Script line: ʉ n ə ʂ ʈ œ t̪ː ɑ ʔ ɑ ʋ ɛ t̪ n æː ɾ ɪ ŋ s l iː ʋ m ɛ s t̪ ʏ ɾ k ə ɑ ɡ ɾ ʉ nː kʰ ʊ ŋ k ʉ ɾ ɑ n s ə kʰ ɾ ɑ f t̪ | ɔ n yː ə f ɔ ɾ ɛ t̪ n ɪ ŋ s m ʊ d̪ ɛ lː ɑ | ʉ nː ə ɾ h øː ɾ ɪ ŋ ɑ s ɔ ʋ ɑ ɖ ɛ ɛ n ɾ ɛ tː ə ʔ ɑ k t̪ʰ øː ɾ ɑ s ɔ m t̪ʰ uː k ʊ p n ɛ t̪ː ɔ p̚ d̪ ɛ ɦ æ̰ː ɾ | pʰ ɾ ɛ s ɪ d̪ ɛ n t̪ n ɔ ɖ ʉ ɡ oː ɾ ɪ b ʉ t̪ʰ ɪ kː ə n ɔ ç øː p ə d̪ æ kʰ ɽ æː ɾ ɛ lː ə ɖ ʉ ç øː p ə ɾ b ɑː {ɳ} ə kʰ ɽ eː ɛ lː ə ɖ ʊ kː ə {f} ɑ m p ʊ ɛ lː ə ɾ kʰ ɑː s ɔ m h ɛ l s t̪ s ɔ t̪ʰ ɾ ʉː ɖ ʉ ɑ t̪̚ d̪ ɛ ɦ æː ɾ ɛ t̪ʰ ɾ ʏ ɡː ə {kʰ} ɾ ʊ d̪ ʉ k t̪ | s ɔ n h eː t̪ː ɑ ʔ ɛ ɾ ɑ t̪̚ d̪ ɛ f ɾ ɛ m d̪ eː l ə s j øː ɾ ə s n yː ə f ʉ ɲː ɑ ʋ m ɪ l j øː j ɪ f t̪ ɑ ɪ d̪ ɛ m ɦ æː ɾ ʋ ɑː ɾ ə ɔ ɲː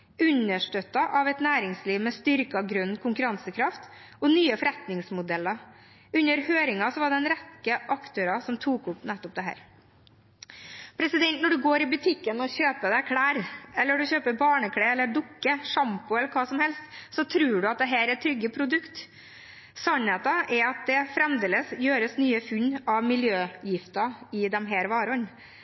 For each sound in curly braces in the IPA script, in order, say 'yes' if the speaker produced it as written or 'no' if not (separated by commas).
yes, no, no